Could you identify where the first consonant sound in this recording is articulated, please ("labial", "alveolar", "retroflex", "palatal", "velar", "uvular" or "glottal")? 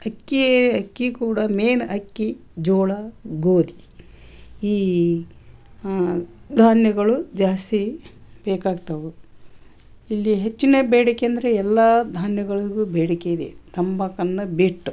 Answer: velar